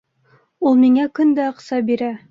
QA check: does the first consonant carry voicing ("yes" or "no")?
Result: yes